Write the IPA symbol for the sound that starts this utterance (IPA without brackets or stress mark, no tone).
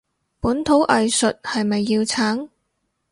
p